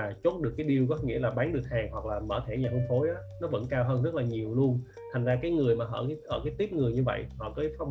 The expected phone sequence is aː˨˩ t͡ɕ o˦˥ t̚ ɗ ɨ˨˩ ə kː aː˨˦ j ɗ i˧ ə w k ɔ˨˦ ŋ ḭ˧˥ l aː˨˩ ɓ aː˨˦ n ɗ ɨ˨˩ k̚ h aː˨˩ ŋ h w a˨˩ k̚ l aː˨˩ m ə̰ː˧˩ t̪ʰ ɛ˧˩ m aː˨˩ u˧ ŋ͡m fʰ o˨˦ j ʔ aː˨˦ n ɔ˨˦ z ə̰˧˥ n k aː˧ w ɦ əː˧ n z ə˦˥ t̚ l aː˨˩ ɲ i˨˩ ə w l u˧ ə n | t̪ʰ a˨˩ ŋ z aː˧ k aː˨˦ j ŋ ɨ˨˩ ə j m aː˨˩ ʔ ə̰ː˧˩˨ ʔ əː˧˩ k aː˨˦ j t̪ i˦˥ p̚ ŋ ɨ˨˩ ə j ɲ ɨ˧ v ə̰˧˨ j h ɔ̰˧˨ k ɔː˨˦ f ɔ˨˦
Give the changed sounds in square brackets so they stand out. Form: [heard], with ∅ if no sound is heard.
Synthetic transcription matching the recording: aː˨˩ t͡ɕ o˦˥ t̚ ɗ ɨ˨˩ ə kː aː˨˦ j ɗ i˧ ə w k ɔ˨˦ ŋ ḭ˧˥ l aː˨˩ ɓ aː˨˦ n ɗ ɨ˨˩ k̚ h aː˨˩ ŋ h w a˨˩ k̚ l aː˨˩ m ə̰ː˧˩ t̪ʰ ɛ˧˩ [ɲ] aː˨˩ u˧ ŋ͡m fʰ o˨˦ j ʔ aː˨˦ n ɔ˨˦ [v] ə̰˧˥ n k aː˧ w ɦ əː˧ n z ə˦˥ t̚ l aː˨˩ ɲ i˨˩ ə w l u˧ ə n | t̪ʰ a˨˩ ŋ z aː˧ k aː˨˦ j ŋ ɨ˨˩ ə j m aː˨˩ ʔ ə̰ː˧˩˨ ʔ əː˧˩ k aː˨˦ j t̪ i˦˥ p̚ ŋ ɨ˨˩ ə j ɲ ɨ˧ v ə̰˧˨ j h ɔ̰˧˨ k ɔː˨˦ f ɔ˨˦